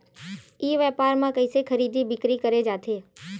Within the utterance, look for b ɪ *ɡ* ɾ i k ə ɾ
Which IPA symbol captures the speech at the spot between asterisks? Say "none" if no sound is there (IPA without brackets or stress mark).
k